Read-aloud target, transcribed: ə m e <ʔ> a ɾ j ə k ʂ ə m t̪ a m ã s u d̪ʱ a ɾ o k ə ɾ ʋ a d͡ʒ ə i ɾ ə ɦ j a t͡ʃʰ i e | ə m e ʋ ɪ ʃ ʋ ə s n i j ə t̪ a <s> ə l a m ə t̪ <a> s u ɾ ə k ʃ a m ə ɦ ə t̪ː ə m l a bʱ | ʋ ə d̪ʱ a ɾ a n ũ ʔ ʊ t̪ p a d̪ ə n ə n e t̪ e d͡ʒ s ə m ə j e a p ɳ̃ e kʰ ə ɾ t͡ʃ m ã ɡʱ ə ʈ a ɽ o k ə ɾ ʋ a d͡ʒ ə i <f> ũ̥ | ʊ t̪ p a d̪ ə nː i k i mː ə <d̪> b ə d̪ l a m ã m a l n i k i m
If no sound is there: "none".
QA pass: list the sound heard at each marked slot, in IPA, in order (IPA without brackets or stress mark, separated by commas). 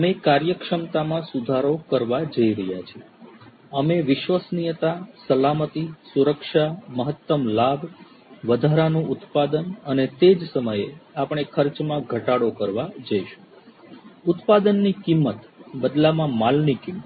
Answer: k, s, i, ʃ, t̪